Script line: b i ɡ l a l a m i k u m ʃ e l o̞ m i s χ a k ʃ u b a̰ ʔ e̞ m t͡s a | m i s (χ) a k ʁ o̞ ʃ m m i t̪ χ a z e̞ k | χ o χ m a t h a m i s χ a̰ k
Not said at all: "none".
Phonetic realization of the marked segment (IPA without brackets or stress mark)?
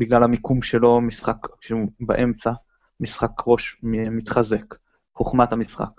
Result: χ